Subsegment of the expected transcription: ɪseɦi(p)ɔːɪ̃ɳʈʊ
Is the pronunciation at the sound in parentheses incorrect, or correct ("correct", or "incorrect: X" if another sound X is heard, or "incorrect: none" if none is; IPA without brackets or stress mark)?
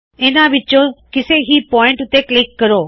correct